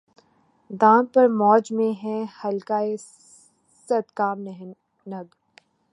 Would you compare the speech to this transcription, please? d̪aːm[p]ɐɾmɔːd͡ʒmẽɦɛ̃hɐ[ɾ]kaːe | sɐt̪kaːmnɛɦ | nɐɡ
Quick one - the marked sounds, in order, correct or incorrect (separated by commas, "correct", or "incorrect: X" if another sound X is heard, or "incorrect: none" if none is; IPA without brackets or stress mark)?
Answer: correct, incorrect: l